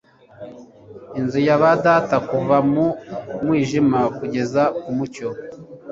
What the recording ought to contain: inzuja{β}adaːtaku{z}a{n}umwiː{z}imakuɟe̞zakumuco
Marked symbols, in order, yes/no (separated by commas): yes, no, no, no